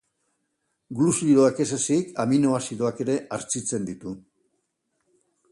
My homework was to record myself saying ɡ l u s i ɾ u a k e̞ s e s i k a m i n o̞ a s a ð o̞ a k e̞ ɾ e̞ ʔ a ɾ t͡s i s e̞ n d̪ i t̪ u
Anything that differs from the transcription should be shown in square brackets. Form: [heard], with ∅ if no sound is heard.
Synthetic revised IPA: ɡ l u s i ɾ [o] a k e̞ s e s i k a m i n o̞ a s [i] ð o̞ a k e̞ ɾ e̞ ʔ a ɾ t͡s i [t͡s] e̞ n d̪ i t̪ u